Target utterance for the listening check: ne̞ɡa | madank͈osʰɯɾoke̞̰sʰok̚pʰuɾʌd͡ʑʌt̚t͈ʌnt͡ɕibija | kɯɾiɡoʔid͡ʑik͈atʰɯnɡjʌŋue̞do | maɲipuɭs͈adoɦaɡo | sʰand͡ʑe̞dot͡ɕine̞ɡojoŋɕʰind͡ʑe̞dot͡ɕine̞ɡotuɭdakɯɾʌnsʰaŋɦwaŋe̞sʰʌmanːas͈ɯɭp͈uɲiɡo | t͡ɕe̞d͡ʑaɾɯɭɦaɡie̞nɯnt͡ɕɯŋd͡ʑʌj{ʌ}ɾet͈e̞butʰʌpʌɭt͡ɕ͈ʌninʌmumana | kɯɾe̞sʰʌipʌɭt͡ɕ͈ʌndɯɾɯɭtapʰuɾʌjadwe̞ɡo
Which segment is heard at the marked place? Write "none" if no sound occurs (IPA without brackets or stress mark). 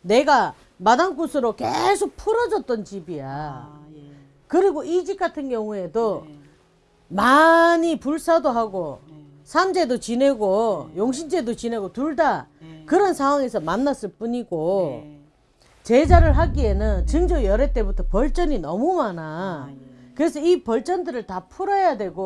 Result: ʌ